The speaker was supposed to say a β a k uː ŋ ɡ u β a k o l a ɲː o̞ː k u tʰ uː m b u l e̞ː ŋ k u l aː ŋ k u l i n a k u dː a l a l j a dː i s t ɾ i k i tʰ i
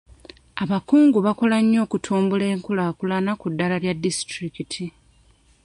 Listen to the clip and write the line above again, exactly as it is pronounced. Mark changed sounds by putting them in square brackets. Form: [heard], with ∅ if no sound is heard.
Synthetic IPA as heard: a β a k uː ŋ ɡ u β a k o l a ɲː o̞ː k u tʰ uː m b u l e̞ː ŋ k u l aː [∅] k u l [a] n a k u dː a l a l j a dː i s t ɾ i k i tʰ i